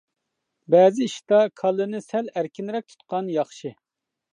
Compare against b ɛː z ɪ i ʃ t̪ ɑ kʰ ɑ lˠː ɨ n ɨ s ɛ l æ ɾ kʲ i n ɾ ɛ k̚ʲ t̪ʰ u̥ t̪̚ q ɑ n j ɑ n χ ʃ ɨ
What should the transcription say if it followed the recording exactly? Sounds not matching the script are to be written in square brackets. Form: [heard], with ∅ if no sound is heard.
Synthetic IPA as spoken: b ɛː z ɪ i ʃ t̪ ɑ kʰ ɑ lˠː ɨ n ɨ s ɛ l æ ɾ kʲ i n ɾ ɛ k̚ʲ t̪ʰ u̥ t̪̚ q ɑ n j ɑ [∅] χ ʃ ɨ